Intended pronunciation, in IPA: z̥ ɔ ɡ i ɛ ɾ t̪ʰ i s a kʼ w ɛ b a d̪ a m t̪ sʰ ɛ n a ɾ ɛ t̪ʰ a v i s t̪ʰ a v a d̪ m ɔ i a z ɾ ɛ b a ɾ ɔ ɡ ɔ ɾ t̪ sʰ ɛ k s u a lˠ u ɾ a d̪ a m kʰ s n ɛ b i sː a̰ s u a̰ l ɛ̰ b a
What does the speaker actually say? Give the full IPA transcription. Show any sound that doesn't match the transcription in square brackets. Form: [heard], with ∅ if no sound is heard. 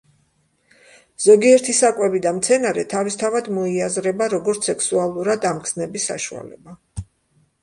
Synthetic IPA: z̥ ɔ ɡ i ɛ ɾ t̪ʰ i s a kʼ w ɛ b [i] d̪ a m t̪ sʰ ɛ n a ɾ ɛ t̪ʰ a v i s t̪ʰ a v a d̪ m ɔ i a z ɾ ɛ b a ɾ ɔ ɡ ɔ ɾ t̪ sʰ ɛ k s u a lˠ u ɾ a d̪ a m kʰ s n ɛ b i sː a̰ [ʃ] u a̰ l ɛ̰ b a